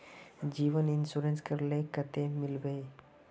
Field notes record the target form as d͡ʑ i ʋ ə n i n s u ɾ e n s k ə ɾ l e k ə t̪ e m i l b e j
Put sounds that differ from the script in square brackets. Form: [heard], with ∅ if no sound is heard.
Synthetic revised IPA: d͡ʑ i ʋ ə n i n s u ɾ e n s k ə ɾ l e k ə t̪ e m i l b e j